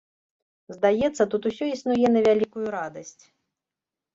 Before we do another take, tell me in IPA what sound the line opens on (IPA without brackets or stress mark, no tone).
z